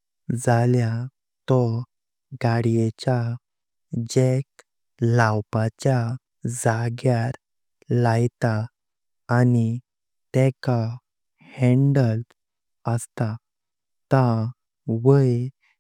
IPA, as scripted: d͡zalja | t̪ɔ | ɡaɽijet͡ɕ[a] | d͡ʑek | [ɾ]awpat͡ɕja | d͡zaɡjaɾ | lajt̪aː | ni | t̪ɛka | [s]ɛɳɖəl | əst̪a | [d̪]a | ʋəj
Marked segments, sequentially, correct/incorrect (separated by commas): correct, incorrect, incorrect, incorrect